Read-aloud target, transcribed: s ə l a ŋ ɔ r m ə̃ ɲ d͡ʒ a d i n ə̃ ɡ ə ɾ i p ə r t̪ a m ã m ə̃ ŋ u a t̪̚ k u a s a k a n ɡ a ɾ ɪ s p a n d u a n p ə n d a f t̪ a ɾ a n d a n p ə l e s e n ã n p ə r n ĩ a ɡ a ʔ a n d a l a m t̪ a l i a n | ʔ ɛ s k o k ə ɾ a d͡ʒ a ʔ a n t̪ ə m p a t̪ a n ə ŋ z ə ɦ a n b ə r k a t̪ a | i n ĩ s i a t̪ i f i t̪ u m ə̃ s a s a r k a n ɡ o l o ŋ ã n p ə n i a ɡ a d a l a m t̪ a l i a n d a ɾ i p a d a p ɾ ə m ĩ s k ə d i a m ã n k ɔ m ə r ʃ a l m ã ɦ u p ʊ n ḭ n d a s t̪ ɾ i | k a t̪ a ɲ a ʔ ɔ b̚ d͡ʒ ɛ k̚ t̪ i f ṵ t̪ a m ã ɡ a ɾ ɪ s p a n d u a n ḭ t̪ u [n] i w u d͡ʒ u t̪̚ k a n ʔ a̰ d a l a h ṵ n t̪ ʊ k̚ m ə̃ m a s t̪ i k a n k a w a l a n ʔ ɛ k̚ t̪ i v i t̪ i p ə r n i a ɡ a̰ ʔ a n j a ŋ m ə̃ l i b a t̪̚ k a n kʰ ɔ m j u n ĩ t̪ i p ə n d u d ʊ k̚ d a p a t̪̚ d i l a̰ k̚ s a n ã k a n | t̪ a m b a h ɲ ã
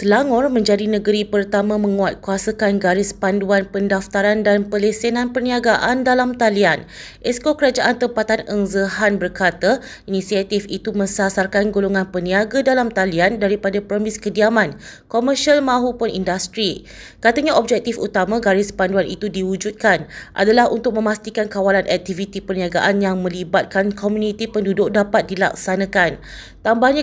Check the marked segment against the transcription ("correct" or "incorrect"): incorrect